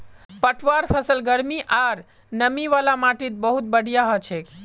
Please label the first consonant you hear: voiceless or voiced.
voiceless